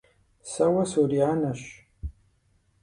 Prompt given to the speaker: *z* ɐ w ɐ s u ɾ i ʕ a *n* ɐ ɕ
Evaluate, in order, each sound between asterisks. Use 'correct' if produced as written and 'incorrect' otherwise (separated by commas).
incorrect, correct